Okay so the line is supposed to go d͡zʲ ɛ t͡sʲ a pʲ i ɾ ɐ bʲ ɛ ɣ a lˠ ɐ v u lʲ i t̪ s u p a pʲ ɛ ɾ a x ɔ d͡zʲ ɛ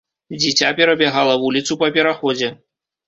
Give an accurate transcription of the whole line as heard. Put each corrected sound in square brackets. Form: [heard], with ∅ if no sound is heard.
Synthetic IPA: d͡zʲ [i] t͡sʲ a pʲ [ɛ] ɾ ɐ bʲ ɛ ɣ a lˠ ɐ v u lʲ i t̪ s u p [ɐ] pʲ ɛ ɾ a x ɔ d͡zʲ ɛ